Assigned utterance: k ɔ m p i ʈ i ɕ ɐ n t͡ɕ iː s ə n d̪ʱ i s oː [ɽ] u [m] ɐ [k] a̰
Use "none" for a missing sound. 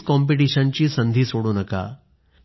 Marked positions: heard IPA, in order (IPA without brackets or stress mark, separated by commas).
ɽ, n, k